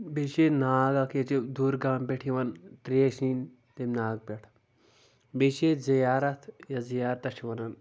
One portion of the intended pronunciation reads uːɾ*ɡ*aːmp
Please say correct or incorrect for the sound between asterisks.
correct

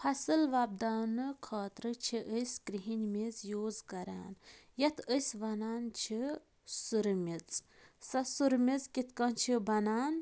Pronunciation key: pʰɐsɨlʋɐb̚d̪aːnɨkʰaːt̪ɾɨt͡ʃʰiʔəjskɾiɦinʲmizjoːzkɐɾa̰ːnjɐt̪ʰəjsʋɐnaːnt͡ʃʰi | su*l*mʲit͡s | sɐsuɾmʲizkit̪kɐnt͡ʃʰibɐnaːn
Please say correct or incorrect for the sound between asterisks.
incorrect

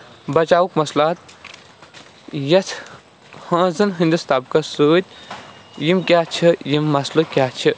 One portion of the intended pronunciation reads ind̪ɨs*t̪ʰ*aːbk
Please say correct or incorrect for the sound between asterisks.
incorrect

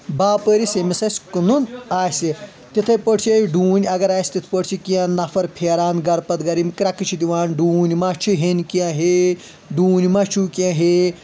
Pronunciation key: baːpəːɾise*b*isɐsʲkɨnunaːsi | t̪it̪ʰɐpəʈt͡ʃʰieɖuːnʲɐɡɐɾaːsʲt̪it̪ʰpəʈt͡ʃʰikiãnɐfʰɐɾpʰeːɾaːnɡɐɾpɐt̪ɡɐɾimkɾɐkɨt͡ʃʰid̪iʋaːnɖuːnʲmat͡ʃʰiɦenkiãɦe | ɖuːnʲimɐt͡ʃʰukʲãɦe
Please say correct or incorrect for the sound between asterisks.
incorrect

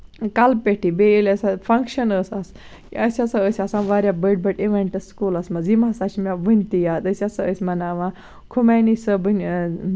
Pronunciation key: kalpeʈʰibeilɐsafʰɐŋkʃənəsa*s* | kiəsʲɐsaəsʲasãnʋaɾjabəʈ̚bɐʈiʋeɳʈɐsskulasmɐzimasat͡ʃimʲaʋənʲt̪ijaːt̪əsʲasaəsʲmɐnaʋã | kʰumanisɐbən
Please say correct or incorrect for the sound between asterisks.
correct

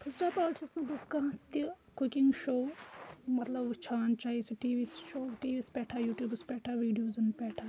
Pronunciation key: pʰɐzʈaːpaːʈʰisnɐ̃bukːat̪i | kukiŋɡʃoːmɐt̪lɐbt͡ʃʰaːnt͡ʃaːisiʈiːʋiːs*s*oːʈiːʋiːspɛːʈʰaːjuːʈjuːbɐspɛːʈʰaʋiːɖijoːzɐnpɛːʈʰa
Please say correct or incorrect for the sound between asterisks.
incorrect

